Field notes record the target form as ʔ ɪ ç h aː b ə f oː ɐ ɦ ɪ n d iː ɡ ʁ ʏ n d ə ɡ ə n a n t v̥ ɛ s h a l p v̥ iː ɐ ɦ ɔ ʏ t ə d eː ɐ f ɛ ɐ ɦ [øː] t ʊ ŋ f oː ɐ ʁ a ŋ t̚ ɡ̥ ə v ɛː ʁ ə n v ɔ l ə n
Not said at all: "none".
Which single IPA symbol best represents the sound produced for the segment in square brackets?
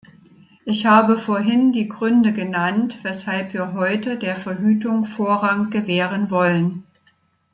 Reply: yː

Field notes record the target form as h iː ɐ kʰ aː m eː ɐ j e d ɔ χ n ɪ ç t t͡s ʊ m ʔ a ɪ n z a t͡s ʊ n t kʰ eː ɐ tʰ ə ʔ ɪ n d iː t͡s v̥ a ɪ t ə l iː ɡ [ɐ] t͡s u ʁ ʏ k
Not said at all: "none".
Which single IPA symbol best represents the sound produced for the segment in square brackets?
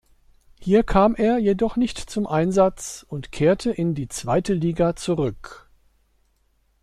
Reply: a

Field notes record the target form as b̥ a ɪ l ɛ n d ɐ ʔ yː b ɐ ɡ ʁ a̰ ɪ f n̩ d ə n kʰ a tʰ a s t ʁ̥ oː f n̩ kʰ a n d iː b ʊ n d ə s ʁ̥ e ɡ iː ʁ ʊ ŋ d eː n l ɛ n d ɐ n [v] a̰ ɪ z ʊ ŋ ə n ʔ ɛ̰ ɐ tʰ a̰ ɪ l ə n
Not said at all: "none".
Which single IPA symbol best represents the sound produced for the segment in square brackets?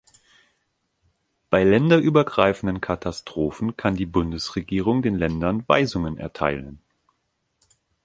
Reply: v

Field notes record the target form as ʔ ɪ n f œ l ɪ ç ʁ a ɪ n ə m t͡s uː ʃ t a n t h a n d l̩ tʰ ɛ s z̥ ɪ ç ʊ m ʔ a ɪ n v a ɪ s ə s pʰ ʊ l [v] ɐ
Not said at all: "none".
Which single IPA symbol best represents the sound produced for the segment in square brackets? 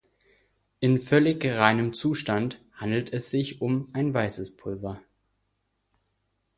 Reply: v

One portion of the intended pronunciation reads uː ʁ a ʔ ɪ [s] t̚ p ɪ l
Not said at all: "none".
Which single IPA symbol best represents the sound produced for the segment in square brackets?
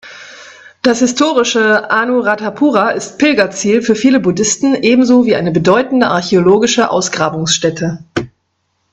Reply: s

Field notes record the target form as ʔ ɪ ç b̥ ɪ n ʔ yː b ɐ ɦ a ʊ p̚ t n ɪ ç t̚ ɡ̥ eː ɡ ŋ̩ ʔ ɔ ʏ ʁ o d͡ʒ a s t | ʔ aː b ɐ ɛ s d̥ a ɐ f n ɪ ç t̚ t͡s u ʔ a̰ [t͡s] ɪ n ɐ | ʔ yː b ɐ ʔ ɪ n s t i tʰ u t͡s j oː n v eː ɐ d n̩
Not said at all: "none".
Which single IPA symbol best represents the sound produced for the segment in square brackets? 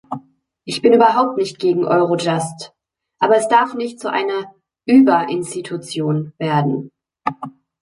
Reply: none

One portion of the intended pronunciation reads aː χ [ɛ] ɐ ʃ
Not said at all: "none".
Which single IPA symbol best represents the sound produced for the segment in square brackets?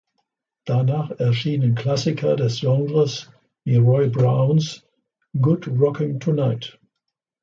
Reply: ɛ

